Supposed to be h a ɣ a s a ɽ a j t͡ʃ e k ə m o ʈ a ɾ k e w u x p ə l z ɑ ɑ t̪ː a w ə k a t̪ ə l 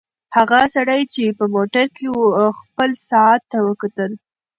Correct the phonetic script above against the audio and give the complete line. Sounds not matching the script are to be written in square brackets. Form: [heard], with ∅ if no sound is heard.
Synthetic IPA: h a ɣ a s a ɽ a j t͡ʃ e [p] ə m o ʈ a ɾ k e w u x p ə l [s] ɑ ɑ t̪ː a w ə k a t̪ ə l

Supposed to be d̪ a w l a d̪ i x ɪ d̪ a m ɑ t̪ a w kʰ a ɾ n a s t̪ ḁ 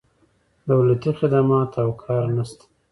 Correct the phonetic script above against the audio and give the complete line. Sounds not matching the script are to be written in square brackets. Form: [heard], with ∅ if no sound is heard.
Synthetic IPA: d̪ a w l a [t̪] i x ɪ d̪ a m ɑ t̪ a w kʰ [ɑ] ɾ n a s t̪ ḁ

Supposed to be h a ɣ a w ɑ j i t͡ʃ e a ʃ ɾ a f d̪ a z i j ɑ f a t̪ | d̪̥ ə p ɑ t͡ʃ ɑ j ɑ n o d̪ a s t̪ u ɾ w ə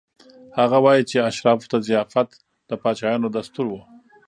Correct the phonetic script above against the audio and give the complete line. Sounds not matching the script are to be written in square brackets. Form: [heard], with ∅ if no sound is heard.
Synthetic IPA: h a ɣ a w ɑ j i t͡ʃ e a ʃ ɾ [ɑ] f [t̪] a z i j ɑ f a t̪ | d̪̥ ə p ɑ t͡ʃ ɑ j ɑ n o d̪ a s t̪ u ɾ w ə

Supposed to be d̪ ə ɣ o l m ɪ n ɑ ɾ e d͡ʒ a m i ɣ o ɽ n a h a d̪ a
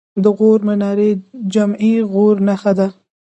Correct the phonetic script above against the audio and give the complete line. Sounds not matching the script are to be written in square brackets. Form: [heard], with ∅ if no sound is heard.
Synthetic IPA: d̪ ə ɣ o [ɾ] m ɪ n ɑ ɾ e d͡ʒ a m i ɣ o [ɾ] n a [x] a d̪ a

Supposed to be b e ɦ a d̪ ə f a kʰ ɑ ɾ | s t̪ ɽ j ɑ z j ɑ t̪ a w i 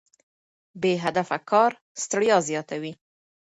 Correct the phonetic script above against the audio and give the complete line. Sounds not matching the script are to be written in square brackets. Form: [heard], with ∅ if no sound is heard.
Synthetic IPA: b e ɦ a d̪ [a] f a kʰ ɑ ɾ | s t̪ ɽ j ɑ z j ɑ t̪ a w i

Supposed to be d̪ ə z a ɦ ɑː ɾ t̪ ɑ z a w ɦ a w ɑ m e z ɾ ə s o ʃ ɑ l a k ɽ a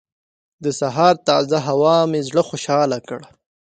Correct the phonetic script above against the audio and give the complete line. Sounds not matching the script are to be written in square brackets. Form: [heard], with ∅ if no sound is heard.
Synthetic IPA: d̪ ə [s] a ɦ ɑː ɾ t̪ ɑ z a [∅] ɦ a w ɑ m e z [ɽ] ə [x] o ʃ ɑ l a k ɽ a

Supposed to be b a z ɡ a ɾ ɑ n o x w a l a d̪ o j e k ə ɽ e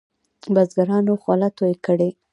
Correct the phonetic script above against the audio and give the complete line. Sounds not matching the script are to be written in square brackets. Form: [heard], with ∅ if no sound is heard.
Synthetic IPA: b a z ɡ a ɾ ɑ n o x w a l a [t̪] o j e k ə ɽ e

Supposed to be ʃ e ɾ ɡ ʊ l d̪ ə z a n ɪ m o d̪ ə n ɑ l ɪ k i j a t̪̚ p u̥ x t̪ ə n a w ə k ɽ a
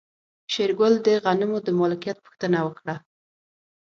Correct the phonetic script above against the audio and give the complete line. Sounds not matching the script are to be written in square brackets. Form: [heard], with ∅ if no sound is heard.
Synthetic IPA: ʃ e ɾ ɡ ʊ l d̪ ə [ɣ] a n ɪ m o d̪ ə [m] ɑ l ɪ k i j a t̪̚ p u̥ x t̪ ə n a w ə k ɽ a

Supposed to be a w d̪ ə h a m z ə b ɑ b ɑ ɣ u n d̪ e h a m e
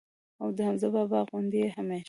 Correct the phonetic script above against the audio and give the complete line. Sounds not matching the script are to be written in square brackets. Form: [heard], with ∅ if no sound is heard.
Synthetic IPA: a w d̪ ə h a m z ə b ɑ b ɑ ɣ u n d̪ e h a m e

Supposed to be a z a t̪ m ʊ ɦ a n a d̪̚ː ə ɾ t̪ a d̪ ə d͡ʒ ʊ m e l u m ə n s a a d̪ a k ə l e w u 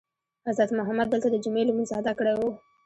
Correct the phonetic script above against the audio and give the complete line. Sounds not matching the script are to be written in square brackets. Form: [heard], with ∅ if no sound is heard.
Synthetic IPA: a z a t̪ m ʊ ɦ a [m] a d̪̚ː ə [l] t̪ a d̪ ə d͡ʒ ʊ m e l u m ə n [z] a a d̪ a k ə [ɽ] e w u

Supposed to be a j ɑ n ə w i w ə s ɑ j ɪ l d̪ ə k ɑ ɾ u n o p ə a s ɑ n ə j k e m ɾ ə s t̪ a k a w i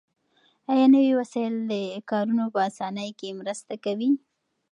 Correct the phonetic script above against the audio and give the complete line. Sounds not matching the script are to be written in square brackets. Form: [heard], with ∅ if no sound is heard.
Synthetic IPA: a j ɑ n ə w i w [a] s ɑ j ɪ l d̪ ə k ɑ ɾ u n o p ə a s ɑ n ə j k e m ɾ ə s t̪ a k a w i

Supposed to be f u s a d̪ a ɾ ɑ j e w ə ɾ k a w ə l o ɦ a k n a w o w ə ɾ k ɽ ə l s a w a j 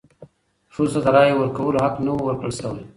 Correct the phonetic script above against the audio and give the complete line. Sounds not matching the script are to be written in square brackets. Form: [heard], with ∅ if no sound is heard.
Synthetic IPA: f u s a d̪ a ɾ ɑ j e w ə ɾ k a w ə l o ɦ a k n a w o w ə ɾ k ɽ ə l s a w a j

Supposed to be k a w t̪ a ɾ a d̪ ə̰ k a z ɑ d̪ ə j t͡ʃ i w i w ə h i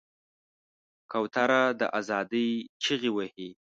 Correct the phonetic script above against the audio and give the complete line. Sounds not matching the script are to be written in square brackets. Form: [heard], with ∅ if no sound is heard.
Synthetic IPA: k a w t̪ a ɾ a d̪ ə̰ [ʔ] a z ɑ d̪ ə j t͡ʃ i [ɣ] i w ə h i

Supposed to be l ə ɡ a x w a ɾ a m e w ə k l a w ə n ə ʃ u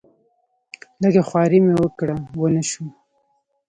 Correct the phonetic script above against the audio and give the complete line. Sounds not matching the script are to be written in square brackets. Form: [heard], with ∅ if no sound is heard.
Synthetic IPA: l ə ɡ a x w [ɑ] ɾ [i] m e w ə k [ɽ] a w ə n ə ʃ u

